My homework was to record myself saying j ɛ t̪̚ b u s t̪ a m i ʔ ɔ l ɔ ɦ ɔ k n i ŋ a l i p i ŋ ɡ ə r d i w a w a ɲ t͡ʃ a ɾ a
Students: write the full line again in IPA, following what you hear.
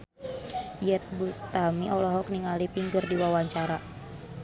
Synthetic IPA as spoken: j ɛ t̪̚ b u s t̪ a m i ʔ ɔ l ɔ ɦ ɔ k n i ŋ a l i p i ŋ ɡ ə r d i w a w a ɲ t͡ʃ a ɾ a